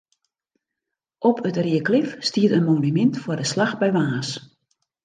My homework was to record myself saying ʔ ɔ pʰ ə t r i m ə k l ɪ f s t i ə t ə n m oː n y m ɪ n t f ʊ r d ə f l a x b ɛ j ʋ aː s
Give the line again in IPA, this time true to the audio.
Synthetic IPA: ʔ ɔ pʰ ə t r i ə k l ɪ f s t i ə t ə n m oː n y m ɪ n t f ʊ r d ə s l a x b ɛ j ʋ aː s